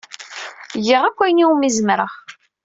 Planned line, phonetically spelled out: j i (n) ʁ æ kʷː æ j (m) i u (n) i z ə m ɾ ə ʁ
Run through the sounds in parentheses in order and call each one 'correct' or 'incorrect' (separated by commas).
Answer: incorrect, incorrect, incorrect